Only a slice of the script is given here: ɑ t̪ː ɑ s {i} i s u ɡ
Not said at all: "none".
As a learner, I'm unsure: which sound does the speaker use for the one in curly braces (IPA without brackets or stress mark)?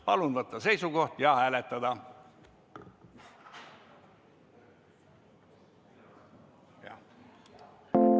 e